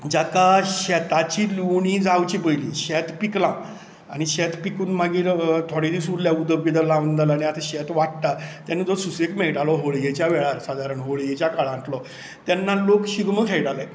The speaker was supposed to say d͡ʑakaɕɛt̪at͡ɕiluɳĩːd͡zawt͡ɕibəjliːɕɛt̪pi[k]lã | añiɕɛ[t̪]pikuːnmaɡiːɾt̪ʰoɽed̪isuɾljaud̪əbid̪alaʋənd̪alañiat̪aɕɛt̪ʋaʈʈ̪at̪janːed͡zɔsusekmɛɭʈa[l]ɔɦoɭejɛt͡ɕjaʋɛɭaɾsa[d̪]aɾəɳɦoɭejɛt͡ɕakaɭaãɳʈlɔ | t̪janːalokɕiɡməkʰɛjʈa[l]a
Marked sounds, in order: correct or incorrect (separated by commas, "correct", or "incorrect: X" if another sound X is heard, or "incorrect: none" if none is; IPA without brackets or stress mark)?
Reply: correct, correct, correct, correct, correct